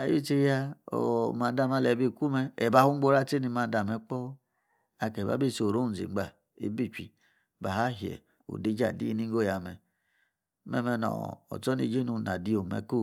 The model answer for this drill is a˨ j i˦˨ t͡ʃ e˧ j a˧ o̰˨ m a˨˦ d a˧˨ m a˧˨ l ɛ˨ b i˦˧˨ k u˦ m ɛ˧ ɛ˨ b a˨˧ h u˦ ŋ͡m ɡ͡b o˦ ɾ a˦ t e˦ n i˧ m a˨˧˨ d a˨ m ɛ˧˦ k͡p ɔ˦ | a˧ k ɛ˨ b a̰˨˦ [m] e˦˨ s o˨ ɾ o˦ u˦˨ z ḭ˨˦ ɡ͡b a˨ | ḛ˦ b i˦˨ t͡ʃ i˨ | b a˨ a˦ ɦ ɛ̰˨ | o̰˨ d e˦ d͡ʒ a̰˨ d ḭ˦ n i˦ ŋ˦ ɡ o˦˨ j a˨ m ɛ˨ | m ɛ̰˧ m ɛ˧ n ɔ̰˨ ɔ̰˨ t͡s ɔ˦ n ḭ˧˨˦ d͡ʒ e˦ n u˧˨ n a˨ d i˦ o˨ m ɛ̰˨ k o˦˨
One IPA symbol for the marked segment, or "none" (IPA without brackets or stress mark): b